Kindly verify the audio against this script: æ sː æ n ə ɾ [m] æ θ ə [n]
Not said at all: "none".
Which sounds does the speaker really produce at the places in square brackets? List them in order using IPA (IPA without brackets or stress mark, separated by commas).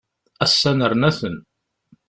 n, n